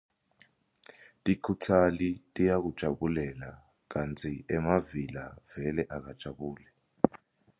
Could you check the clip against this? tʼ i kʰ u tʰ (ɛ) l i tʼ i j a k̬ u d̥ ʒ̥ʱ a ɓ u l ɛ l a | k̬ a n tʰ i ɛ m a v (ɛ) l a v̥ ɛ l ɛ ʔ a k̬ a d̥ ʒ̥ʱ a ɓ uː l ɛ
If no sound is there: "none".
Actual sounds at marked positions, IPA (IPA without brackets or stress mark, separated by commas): a, i